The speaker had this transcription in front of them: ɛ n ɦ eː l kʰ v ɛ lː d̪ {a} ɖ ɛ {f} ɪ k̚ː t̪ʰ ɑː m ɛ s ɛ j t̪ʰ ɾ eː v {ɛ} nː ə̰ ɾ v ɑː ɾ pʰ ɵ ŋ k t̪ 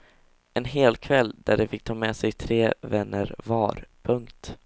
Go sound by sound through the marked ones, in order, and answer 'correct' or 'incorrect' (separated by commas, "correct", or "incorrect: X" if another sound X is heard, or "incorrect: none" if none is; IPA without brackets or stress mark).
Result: incorrect: æ, correct, correct